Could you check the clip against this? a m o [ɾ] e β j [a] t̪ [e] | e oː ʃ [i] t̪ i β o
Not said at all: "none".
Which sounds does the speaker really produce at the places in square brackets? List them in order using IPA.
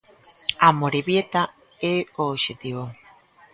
ɾ, e, a, e

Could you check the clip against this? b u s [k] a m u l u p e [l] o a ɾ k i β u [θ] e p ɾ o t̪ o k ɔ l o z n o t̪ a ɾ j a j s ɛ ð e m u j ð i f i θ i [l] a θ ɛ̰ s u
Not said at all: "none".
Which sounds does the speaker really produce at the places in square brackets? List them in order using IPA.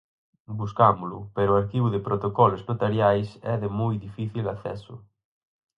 k, ɾ, ð, l

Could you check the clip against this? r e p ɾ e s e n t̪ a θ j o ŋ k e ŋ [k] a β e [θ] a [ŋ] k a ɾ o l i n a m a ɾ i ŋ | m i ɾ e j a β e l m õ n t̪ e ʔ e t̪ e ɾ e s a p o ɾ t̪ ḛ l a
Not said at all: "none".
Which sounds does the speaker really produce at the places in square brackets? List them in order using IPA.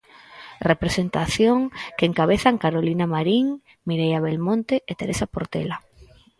k, θ, ŋ

